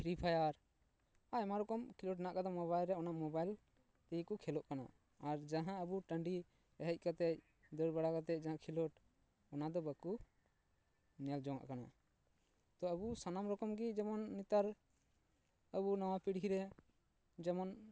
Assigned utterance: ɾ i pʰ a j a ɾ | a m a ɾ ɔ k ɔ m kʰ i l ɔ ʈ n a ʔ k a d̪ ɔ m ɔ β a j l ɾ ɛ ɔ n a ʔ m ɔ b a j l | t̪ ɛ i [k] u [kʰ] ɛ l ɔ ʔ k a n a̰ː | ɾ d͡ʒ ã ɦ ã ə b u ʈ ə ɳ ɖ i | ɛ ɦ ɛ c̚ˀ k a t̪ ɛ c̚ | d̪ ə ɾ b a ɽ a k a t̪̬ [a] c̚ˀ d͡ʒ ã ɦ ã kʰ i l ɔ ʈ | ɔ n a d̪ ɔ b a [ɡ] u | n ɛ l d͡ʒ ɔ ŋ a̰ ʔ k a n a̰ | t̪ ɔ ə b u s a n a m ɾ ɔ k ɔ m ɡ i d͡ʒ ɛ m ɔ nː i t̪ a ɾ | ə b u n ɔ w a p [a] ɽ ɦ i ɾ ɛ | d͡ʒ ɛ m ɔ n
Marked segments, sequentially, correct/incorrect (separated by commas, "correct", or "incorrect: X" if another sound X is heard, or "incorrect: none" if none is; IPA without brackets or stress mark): correct, correct, incorrect: ɛ, incorrect: k, incorrect: i